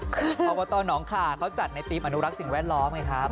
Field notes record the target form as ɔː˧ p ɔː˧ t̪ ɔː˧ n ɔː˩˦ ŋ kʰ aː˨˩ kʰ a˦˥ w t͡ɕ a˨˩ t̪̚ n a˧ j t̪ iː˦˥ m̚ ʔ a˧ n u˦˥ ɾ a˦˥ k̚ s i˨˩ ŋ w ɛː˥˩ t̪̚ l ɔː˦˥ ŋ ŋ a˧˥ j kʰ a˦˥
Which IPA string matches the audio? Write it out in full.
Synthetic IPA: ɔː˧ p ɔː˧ t̪ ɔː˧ n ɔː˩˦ ŋ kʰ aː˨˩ kʰ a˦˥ w t͡ɕ a˨˩ t̪̚ n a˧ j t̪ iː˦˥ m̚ ʔ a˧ n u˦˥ ɾ a˦˥ k̚ s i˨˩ ŋ w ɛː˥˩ t̪̚ l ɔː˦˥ m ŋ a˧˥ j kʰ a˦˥